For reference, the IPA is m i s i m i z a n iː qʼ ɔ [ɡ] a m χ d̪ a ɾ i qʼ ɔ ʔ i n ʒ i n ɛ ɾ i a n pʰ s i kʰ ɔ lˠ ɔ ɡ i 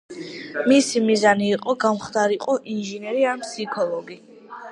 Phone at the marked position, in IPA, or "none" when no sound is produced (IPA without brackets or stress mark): ɡ